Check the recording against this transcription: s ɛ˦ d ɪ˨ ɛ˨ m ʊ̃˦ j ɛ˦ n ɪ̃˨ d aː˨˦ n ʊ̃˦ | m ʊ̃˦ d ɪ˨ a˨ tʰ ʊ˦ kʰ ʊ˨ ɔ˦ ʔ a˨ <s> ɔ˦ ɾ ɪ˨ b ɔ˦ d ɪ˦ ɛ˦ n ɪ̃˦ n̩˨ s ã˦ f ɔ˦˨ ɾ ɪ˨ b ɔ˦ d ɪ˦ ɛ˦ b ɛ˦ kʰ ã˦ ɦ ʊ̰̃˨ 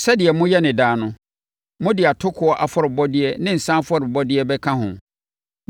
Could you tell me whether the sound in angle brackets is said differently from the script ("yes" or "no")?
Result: yes